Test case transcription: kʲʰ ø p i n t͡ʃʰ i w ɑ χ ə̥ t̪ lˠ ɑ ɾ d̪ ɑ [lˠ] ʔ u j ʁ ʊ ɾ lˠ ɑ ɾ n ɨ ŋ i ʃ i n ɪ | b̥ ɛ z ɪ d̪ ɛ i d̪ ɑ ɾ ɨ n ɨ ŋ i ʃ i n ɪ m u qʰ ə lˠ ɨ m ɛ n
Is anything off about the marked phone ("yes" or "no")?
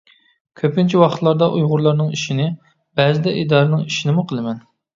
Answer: yes